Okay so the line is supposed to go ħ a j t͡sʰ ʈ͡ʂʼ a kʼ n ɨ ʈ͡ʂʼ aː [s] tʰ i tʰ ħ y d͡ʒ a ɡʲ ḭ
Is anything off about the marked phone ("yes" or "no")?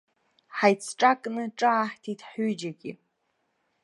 yes